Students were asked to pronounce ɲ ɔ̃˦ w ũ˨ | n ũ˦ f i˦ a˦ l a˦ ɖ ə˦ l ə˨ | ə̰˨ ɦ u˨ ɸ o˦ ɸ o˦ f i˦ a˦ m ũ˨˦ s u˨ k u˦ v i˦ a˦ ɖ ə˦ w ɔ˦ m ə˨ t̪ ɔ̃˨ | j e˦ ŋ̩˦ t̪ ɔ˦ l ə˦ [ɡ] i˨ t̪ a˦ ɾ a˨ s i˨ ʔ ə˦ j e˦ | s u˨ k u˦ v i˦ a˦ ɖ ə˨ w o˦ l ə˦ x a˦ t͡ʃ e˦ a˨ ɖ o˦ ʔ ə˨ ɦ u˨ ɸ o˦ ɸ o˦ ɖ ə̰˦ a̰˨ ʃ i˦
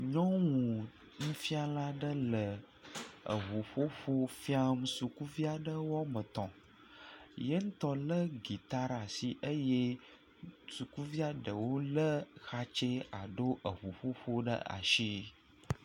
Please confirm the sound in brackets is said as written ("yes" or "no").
yes